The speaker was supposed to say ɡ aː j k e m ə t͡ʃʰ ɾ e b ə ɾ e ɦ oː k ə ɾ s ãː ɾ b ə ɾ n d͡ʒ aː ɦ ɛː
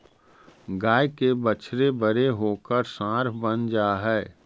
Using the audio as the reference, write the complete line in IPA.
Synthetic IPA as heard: ɡ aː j k e b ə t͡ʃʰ ɾ e b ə ɾ e ɦ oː k ə ɾ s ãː ɾ b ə n d͡ʒ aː ɦ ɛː